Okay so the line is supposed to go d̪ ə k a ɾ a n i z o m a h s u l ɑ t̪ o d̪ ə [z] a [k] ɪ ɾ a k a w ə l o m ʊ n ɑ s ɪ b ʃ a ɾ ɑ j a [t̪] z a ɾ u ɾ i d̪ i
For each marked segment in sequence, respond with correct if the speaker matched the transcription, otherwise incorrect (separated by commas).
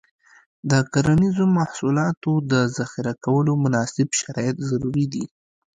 correct, incorrect, correct